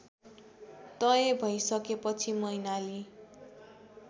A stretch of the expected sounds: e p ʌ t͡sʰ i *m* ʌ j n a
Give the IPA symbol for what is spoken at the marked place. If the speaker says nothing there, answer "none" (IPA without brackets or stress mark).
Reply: m